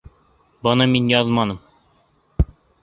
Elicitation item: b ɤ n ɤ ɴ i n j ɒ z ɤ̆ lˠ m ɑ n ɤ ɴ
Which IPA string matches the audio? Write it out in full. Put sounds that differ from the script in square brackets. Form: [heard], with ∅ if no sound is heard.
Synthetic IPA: b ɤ n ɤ [m] i n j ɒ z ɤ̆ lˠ m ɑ n ɤ [m]

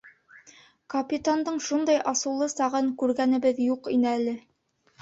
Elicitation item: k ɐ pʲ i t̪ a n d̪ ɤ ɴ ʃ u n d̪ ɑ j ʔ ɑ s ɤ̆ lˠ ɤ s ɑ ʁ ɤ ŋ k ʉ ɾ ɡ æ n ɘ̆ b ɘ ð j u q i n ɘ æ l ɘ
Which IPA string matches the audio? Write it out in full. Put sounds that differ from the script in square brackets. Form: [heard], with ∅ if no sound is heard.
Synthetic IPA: k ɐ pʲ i t̪ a n d̪ ɤ ɴ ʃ u n d̪ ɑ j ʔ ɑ s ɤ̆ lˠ ɤ s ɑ ʁ ɤ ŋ k ʉ ɾ ɡ æ n ɘ̆ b ɘ ð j u q i n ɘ æ l ɘ

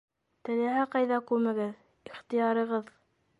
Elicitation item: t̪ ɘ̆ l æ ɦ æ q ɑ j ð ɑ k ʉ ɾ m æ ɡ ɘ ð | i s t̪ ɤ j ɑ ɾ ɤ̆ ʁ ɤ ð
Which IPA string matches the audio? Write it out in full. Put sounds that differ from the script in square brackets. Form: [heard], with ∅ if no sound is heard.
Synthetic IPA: t̪ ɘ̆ l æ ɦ æ q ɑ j ð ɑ k ʉ ɾ m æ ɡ ɘ ð | i [χ] t̪ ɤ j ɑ ɾ ɤ̆ ʁ ɤ ð

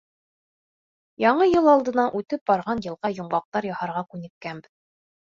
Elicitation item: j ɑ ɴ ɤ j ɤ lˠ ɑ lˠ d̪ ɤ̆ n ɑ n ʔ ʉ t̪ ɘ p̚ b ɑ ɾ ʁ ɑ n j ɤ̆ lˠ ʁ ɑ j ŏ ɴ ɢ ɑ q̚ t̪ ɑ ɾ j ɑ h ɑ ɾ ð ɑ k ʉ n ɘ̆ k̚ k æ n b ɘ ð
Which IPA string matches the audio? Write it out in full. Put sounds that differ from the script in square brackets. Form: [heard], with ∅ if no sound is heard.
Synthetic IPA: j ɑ ɴ ɤ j ɤ lˠ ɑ lˠ d̪ ɤ̆ n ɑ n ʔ ʉ t̪ ɘ p̚ b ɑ ɾ ʁ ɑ n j ɤ̆ lˠ ʁ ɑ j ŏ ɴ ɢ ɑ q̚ t̪ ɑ ɾ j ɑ h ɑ ɾ [ʁ] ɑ k ʉ n ɘ̆ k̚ k æ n b ɘ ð

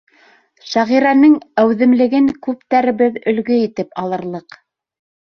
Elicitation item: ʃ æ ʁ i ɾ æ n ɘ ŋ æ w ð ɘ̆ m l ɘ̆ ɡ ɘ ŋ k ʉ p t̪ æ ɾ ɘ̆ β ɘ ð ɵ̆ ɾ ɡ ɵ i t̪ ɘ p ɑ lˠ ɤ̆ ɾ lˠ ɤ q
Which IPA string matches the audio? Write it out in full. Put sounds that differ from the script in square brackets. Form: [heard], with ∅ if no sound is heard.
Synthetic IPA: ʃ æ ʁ i ɾ æ n ɘ ŋ æ w ð ɘ̆ m l ɘ̆ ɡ ɘ ŋ k ʉ p t̪ æ ɾ ɘ̆ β ɘ ð ɵ̆ [l] ɡ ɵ i t̪ ɘ p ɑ lˠ ɤ̆ ɾ lˠ ɤ q

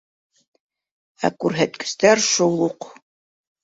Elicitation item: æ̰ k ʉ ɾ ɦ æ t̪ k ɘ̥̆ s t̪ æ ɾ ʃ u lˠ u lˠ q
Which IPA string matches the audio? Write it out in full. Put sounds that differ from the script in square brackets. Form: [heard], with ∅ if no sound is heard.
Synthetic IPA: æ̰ k ʉ ɾ ɦ æ t̪ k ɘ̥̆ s t̪ æ ɾ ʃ u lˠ u [∅] q

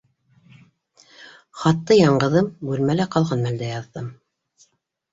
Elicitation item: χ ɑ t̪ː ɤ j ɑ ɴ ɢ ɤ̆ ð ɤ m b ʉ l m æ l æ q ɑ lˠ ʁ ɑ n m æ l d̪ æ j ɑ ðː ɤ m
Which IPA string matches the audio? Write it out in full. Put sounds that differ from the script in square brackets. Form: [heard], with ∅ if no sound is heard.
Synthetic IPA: χ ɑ t̪ː ɤ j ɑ ɴ ɢ ɤ̆ ð ɤ m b ʉ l m æ l æ q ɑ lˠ ʁ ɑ n m æ l d̪ æ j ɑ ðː ɤ m

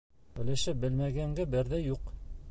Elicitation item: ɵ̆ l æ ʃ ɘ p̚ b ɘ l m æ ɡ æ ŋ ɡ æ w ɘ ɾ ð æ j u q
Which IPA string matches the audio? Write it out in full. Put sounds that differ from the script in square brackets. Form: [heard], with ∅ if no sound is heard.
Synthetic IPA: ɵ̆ l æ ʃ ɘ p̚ b ɘ l m æ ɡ æ ŋ ɡ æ [b] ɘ ɾ ð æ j u q

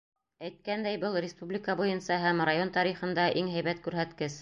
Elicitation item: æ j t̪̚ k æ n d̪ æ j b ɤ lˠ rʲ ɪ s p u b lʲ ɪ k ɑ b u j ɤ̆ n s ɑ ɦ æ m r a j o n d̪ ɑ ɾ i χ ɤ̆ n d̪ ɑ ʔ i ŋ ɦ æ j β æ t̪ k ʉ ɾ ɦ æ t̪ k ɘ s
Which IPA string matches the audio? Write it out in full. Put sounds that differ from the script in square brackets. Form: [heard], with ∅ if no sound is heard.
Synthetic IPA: æ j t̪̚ k æ n d̪ æ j b ɤ lˠ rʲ ɪ s p u b lʲ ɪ k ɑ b u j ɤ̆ n s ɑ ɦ æ m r a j o n [t̪] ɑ ɾ i χ ɤ̆ n d̪ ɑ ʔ i ŋ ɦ æ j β æ t̪ k ʉ ɾ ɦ æ t̪ k ɘ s

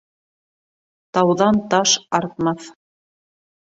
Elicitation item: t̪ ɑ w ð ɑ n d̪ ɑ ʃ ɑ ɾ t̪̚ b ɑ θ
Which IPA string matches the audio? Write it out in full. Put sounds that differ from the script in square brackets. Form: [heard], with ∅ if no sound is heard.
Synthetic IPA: t̪ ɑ w ð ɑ n [t̪] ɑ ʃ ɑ ɾ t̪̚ [m] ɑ θ

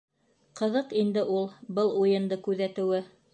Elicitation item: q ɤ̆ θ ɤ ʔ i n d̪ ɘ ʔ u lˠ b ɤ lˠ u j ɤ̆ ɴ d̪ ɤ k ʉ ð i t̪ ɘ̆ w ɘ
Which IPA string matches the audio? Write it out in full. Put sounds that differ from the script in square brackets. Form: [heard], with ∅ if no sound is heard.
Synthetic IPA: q ɤ̆ [ð] ɤ [q] i n d̪ ɘ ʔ u lˠ b ɤ lˠ u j ɤ̆ [n] d̪ ɤ k ʉ ð [æ] t̪ ɘ̆ w ɘ

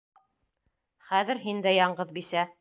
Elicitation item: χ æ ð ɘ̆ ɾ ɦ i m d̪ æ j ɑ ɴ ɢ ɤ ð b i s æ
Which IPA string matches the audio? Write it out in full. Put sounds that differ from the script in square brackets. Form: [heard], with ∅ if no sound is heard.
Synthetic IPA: χ æ ð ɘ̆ ɾ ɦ i [n] d̪ æ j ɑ ɴ ɢ ɤ ð b i s æ

